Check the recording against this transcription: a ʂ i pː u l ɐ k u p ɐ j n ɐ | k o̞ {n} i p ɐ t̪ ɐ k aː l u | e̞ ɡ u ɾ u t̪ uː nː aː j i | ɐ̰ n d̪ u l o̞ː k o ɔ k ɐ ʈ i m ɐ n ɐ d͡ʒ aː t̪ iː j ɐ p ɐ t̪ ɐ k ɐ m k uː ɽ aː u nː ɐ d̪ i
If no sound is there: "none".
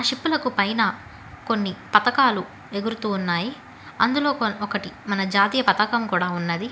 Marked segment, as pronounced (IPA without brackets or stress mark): nː